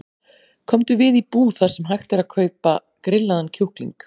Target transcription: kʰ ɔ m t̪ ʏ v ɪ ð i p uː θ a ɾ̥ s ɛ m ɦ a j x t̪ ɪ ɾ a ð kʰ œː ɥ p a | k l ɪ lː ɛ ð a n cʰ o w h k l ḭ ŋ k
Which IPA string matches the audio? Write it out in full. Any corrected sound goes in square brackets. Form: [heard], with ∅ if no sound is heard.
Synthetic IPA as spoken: kʰ ɔ m t̪ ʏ v ɪ ð i p uː θ a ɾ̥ s ɛ m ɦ a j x t̪ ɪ ɾ a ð kʰ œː ɥ p a | k [ɾ] ɪ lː [a] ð a n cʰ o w h k l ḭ ŋ k